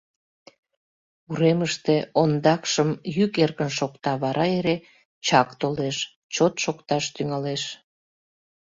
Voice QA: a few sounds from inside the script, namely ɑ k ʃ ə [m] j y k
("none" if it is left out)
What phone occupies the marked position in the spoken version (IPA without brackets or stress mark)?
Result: m